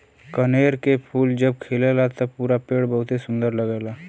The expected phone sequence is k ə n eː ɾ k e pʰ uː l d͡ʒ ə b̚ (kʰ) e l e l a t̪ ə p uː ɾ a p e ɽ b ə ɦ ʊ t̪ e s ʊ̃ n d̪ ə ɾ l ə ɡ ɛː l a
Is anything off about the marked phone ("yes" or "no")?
no